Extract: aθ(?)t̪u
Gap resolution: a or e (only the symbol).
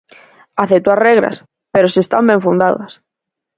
e